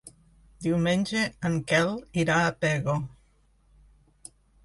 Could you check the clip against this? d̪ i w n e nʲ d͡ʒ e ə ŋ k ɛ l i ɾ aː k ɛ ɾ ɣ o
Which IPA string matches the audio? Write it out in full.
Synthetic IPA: d̪ i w m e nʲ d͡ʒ e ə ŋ k ɛ l i ɾ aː p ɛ ɣ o